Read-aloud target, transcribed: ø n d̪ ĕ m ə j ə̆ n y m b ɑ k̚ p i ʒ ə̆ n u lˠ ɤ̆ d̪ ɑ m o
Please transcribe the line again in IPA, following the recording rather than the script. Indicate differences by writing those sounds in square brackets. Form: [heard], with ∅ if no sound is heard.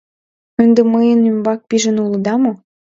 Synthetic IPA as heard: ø n d̪ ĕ m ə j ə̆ n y m b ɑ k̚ p i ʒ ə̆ n u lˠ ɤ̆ d̪ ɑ m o